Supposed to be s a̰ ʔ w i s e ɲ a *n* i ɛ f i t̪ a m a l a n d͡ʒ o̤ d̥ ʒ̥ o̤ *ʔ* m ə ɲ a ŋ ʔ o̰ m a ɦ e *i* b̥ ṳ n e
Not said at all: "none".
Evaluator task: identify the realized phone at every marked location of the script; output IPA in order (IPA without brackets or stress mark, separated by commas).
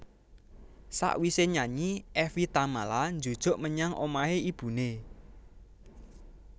ɲ, ʔ, i